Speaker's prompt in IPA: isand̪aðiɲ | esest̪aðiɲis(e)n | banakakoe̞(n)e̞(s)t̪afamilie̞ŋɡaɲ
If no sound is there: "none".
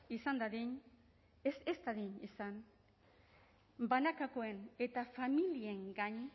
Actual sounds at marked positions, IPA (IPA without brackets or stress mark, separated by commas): a, n, none